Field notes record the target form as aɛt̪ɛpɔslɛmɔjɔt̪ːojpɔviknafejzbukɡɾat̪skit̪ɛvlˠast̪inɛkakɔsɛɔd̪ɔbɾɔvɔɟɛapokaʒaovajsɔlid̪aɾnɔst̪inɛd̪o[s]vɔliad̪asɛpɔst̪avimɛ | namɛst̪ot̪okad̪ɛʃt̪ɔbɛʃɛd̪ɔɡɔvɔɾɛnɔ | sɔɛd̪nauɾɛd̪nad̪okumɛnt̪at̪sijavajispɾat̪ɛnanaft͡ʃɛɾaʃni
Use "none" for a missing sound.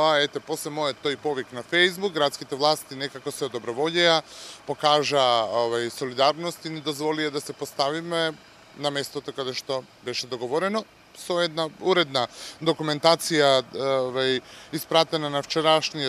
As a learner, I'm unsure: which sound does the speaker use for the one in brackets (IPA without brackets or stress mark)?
z